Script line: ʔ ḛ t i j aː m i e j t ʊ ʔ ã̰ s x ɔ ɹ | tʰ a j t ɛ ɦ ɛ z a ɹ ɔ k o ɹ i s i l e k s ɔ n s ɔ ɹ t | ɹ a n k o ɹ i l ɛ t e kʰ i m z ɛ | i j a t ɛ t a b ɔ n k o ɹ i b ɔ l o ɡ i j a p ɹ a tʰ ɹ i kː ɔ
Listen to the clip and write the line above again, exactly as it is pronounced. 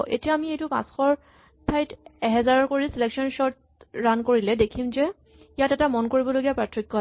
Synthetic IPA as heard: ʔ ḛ t i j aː m i e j t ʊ p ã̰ s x ɔ ɹ | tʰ a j t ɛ ɦ ɛ z a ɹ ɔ k o ɹ i s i l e k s ɔ n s ɔ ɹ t | ɹ a n k o ɹ i l ɛ d e kʰ i m z ɛ | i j a t ɛ t a m ɔ n k o ɹ i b ɔ l o ɡ i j a p ɹ a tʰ ɹ i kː ɔ